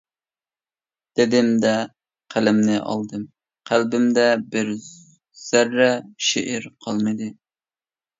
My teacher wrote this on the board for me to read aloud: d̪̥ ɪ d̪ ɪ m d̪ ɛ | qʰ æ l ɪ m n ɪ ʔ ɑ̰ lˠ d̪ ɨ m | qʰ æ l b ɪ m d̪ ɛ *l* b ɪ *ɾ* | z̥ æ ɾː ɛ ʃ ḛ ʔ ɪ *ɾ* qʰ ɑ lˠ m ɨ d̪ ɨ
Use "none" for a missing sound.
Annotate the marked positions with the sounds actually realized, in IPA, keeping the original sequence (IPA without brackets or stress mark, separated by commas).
none, ɾ, ɾ